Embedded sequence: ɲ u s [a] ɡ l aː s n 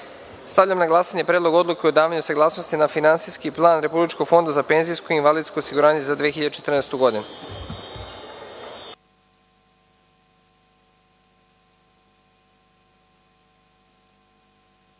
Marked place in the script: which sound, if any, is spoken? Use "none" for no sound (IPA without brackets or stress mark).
a